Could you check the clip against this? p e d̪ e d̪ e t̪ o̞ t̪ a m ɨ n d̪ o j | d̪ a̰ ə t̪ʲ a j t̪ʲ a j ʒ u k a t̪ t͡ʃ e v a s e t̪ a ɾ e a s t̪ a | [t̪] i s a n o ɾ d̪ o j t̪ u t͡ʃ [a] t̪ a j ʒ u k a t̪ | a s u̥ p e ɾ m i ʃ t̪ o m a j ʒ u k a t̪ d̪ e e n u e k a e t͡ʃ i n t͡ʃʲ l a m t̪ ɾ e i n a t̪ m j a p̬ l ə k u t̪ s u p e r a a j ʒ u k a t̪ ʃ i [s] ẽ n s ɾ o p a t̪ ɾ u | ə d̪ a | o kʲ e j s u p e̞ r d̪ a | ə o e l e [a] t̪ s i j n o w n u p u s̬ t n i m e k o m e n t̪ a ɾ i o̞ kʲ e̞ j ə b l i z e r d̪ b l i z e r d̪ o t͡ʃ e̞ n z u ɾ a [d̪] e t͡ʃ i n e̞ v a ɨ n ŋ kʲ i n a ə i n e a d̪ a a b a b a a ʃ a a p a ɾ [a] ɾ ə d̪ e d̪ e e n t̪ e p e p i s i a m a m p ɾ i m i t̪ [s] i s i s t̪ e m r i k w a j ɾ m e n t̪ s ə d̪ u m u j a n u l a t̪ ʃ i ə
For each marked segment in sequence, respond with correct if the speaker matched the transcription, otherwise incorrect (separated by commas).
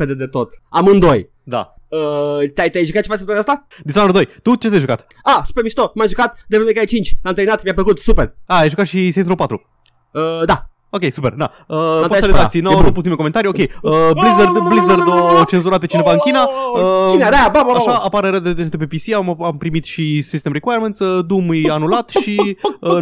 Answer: incorrect, incorrect, correct, correct, incorrect, incorrect, incorrect